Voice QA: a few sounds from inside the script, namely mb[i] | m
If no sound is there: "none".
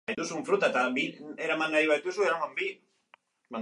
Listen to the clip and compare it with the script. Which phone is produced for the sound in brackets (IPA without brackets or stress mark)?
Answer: i